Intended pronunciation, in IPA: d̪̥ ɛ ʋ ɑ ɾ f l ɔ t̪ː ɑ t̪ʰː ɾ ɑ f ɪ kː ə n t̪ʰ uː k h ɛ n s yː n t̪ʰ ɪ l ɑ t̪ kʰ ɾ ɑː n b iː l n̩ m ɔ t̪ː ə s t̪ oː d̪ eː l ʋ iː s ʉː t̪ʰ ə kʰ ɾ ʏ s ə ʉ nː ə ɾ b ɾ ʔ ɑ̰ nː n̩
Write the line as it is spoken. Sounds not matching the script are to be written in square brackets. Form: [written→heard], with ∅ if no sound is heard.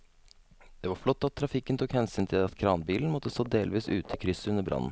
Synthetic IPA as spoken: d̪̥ ɛ ʋ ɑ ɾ f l ɔ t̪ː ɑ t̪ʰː ɾ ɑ f ɪ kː ə n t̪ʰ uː k h ɛ n s yː n t̪ʰ ɪ l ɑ t̪ kʰ ɾ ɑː n b iː l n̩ m ɔ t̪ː ə s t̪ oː d̪ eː l ʋ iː s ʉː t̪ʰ ə kʰ ɾ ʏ s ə ʉ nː ə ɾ b ɾ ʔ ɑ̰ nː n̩